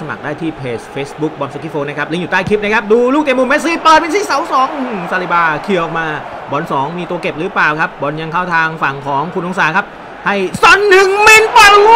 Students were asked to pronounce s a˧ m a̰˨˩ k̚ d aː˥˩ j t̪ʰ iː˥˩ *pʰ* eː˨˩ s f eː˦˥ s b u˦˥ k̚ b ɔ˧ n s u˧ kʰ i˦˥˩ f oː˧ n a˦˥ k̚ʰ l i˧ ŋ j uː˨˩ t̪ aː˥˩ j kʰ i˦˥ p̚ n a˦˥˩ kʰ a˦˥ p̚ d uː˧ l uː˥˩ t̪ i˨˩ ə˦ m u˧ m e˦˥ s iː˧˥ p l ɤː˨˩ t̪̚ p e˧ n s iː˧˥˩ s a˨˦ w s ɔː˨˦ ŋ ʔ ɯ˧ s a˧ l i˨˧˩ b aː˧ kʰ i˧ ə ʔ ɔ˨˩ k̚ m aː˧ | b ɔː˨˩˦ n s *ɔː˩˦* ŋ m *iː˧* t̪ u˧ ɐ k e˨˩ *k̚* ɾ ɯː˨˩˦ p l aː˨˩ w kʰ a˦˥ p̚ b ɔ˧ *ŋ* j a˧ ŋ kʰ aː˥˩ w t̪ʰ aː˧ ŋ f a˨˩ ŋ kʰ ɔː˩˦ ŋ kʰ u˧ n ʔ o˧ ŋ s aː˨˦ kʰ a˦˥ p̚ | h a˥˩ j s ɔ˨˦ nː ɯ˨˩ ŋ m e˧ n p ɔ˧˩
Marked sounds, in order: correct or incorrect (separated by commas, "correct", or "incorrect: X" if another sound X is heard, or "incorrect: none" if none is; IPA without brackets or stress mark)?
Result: correct, correct, correct, incorrect: p̚, incorrect: n